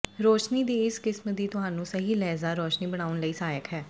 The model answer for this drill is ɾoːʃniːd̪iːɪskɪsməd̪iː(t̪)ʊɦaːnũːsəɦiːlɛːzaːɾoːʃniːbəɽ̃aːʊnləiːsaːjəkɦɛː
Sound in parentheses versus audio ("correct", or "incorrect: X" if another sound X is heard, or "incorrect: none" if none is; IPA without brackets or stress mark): correct